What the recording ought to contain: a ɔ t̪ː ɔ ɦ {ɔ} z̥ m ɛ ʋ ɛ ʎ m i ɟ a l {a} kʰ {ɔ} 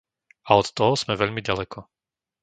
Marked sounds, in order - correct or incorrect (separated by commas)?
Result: correct, incorrect, correct